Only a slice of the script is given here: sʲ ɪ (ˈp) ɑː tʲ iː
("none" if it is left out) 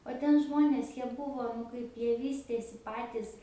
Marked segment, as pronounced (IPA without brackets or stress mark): p